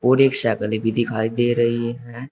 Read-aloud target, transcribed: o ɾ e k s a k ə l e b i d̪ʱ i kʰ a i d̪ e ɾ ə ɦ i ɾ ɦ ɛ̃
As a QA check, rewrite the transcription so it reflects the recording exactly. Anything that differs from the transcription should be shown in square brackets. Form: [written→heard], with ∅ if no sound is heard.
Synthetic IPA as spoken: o ɾ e k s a k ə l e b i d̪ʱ i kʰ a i d̪ e ɾ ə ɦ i [ɾ→∅] ɦ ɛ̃